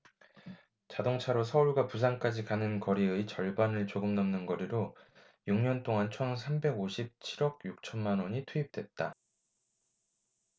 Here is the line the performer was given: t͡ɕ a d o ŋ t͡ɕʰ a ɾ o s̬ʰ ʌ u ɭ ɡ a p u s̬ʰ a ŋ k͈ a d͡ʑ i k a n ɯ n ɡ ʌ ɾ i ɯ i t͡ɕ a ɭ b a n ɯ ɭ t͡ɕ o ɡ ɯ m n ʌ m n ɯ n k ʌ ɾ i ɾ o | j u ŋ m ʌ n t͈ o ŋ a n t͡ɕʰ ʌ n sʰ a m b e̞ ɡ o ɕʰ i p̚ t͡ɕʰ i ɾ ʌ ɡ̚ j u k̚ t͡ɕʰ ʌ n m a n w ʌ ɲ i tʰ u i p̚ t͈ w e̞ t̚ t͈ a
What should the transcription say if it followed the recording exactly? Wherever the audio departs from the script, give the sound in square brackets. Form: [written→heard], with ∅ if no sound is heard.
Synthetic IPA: t͡ɕ a d o ŋ t͡ɕʰ a ɾ o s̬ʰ ʌ u ɭ ɡ a p u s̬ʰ a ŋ k͈ a d͡ʑ i k a n ɯ n [ɡ→k] ʌ ɾ i ɯ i t͡ɕ [a→ʌ] ɭ b a n ɯ ɭ t͡ɕ o ɡ ɯ m n ʌ m n ɯ n [k→ɡ] ʌ ɾ i ɾ o | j u ŋ [m→ɲ] ʌ n t͈ o ŋ a n t͡ɕʰ ʌ n sʰ a m b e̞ ɡ o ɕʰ i p̚ t͡ɕʰ i ɾ ʌ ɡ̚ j u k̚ t͡ɕʰ ʌ n m a n w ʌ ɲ i tʰ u i p̚ t͈ w e̞ t̚ t͈ a